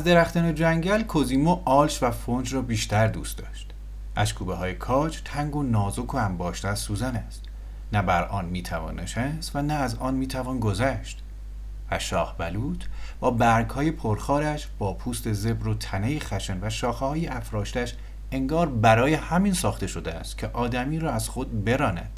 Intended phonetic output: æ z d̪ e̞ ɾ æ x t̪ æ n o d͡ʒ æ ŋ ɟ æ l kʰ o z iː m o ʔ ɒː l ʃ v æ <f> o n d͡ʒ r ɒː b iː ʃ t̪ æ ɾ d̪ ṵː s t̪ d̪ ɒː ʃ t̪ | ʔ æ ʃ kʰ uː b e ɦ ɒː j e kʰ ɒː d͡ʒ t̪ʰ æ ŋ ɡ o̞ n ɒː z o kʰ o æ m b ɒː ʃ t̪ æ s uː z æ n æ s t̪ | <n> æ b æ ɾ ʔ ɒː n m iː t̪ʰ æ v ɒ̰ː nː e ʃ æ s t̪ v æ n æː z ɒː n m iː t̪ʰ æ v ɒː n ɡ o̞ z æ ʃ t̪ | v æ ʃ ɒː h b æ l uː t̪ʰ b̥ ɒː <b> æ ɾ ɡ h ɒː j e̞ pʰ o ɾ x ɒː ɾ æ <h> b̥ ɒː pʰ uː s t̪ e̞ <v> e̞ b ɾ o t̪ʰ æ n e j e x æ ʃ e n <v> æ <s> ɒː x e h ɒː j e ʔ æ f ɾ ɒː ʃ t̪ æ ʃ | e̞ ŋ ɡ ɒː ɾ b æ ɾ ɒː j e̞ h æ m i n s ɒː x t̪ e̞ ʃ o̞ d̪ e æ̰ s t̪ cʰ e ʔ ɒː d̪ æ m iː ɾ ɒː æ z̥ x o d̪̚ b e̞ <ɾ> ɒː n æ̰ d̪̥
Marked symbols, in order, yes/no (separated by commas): yes, yes, yes, no, no, yes, no, yes